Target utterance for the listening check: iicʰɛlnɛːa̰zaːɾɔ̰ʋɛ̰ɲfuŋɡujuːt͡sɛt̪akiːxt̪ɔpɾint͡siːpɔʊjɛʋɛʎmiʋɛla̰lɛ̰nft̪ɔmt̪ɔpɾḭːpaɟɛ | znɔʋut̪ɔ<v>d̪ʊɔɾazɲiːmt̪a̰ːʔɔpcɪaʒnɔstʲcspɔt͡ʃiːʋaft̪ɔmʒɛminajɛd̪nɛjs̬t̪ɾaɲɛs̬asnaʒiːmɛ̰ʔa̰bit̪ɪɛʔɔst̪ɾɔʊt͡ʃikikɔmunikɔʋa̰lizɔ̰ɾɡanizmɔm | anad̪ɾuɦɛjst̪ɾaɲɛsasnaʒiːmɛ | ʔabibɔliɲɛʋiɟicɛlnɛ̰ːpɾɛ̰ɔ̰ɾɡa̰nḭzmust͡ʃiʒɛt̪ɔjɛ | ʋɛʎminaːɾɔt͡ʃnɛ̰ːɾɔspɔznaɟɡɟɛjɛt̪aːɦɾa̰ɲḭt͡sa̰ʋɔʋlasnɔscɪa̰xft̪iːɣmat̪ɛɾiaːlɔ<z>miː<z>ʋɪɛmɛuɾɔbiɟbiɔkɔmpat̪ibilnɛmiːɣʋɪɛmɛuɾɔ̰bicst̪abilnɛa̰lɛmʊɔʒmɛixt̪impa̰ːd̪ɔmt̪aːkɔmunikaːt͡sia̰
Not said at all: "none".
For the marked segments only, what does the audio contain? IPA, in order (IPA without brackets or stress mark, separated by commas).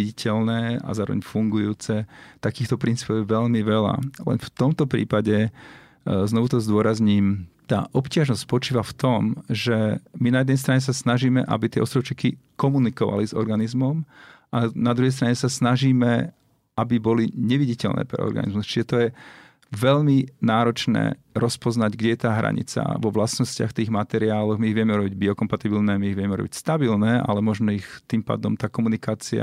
z, ɣ, ɣ